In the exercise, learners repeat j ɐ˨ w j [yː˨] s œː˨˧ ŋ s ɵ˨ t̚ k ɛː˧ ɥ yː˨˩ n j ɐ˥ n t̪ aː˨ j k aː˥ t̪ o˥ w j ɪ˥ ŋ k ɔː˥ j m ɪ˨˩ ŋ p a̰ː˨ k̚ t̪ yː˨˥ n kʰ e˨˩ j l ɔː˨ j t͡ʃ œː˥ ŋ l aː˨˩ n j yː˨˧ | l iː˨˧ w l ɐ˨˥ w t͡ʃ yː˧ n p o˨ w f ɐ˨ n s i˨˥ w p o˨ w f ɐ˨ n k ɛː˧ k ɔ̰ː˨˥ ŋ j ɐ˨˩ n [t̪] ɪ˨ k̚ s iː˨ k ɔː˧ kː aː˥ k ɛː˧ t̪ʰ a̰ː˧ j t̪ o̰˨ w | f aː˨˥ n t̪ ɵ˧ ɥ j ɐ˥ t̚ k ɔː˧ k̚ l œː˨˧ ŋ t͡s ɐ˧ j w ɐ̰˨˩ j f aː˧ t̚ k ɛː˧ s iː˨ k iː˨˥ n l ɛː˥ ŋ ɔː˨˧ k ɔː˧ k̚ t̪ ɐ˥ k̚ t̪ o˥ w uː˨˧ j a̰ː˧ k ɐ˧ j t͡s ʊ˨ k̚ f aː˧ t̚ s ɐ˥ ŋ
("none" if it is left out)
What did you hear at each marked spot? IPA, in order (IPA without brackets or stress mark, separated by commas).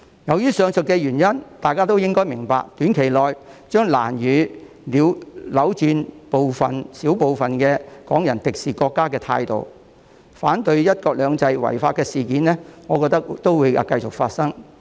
yː˥, t̪